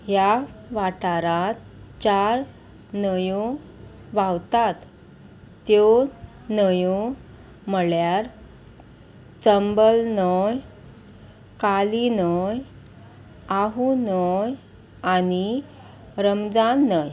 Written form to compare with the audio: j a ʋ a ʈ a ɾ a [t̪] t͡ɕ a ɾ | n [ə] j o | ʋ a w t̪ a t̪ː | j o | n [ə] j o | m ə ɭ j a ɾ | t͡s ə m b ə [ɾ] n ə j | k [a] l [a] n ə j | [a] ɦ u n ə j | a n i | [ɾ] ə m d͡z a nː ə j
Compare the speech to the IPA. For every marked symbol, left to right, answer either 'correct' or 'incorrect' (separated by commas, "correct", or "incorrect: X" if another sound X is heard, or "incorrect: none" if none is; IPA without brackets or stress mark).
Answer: correct, correct, correct, incorrect: l, correct, incorrect: i, correct, correct